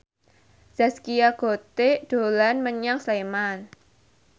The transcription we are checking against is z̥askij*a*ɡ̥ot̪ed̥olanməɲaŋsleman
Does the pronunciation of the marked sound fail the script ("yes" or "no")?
no